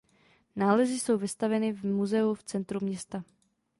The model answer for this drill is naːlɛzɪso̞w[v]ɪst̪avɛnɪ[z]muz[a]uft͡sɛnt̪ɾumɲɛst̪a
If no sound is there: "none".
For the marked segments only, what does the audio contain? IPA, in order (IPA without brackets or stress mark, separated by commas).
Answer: v, v, ɛ